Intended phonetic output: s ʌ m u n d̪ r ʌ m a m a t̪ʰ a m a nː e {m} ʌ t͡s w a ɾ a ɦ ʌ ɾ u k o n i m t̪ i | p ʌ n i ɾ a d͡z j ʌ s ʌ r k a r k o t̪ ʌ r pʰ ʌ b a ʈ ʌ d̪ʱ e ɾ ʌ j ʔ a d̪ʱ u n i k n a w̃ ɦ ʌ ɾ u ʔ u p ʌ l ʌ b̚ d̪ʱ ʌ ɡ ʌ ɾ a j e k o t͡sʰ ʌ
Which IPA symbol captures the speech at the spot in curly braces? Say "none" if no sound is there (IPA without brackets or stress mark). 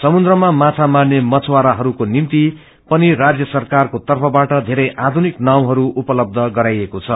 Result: m